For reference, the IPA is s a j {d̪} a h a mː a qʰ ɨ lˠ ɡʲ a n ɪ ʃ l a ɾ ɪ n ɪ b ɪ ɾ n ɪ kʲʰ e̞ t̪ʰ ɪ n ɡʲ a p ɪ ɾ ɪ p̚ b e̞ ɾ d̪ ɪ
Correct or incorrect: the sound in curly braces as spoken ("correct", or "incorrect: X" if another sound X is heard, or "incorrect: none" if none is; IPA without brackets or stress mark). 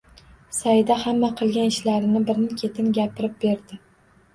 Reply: correct